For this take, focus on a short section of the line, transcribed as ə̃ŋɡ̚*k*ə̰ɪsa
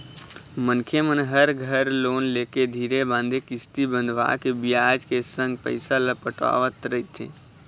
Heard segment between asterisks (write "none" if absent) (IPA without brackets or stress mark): p